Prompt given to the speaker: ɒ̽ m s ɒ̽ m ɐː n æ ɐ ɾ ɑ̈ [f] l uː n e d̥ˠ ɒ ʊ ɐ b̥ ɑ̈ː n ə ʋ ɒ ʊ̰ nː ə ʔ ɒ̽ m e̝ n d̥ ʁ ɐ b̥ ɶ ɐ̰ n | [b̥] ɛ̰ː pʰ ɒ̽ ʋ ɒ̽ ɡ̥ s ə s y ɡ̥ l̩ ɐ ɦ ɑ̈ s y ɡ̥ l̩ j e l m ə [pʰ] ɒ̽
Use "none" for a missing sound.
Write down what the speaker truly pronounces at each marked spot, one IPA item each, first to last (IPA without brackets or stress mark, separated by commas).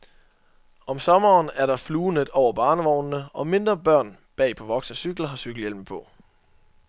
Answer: f, b̥, pʰ